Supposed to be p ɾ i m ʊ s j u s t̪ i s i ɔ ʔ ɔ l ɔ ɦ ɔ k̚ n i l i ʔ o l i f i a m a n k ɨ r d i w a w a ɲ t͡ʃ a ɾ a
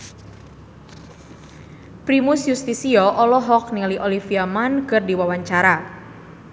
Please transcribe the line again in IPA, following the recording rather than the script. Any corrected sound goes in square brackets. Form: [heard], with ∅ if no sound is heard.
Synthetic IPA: p ɾ i m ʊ s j u s t̪ i s i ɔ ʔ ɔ l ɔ ɦ ɔ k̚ n i l i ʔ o l i f i a m a n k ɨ r d i w a w a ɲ t͡ʃ a ɾ a